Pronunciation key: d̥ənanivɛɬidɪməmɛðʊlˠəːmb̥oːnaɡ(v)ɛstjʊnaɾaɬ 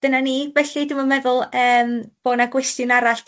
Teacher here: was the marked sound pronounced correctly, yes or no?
no